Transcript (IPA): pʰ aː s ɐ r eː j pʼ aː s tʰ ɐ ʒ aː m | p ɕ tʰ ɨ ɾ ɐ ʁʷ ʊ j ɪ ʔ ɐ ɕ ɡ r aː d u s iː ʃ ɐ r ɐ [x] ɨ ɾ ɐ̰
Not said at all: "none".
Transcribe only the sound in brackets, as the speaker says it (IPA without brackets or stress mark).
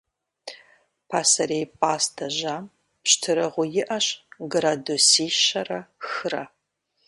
x